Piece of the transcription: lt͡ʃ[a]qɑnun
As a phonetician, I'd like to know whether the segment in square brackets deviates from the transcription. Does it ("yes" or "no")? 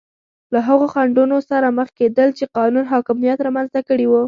yes